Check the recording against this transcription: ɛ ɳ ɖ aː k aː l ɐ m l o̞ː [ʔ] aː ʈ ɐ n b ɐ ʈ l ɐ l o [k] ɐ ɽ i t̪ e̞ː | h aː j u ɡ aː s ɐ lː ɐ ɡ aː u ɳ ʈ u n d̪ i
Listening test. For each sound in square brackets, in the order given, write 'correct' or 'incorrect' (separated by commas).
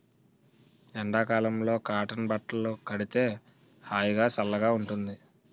incorrect, correct